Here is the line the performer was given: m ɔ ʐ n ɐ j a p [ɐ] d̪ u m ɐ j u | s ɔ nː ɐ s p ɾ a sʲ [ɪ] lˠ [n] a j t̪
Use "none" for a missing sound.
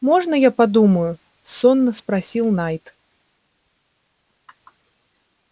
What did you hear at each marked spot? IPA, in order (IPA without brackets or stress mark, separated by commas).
a, i, n